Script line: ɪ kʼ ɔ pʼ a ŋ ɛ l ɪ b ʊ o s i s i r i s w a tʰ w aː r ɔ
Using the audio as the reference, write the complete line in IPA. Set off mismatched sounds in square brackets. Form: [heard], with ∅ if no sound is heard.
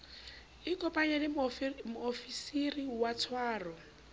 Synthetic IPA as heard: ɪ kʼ ɔ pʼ a [ɲ] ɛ l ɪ [m] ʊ o [f] i s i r i [∅] w a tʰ w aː r ɔ